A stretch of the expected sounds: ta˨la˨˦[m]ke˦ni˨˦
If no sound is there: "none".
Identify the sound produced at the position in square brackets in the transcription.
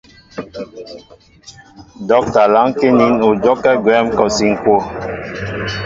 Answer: ŋ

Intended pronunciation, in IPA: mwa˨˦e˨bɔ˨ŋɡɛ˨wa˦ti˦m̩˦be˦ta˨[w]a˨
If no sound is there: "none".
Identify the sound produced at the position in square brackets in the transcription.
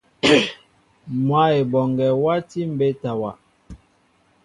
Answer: w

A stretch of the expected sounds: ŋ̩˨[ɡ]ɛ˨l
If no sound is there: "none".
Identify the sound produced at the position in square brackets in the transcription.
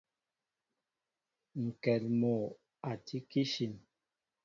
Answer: k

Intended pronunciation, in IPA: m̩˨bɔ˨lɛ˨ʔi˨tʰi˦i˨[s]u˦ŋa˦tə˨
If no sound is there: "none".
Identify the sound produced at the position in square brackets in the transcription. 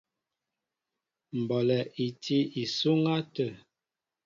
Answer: s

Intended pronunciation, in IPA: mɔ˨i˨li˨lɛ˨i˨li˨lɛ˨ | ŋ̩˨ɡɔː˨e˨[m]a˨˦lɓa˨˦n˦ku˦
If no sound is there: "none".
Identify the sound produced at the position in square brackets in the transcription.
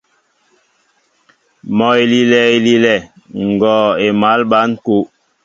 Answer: m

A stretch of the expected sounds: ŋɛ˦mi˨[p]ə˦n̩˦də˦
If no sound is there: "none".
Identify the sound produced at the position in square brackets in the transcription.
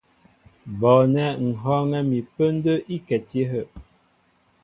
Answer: p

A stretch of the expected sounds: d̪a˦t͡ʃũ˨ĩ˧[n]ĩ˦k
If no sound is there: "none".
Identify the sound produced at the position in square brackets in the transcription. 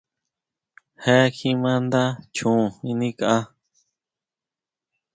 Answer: n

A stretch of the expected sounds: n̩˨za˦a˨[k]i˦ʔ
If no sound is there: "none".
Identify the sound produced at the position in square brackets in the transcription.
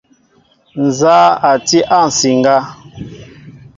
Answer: t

